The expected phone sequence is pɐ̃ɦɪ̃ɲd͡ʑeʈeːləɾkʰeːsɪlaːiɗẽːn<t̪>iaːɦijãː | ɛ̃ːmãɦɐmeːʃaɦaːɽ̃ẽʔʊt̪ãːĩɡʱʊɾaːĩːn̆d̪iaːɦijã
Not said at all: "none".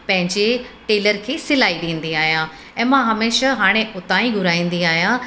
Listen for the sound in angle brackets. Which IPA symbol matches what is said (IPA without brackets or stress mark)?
d̪